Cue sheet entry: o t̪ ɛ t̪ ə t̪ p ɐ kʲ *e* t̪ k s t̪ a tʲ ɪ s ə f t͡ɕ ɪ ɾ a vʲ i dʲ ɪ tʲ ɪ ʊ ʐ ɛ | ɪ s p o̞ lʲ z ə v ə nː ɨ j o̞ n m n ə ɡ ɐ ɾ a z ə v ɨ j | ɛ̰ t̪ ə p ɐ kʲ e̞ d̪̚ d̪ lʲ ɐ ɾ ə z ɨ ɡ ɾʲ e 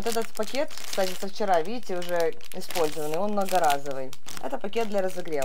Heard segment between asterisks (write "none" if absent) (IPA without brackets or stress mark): e